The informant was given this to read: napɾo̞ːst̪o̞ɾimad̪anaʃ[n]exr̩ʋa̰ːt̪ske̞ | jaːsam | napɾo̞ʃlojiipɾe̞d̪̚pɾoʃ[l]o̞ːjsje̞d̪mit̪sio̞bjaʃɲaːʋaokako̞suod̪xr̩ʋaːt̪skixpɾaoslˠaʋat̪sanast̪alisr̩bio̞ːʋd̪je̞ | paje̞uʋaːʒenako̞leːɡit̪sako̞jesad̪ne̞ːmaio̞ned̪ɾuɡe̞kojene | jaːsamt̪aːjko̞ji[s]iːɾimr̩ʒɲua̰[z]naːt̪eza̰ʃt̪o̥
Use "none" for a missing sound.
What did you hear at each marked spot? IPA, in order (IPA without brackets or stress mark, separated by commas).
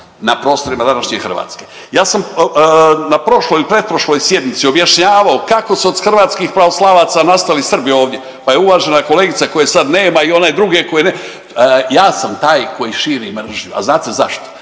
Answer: ɲ, l, ʃ, z